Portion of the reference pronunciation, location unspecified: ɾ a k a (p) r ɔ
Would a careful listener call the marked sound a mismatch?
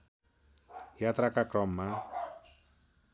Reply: yes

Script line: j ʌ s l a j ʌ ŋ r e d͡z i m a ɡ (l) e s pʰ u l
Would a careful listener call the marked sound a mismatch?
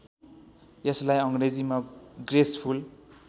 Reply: yes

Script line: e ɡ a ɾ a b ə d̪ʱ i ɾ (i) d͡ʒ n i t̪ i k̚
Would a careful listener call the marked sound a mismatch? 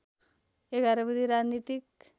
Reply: yes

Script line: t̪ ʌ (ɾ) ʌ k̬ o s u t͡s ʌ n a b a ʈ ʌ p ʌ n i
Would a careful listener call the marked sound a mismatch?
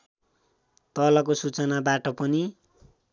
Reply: yes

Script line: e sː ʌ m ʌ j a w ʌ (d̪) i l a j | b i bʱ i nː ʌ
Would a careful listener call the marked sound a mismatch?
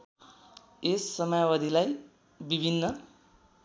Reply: no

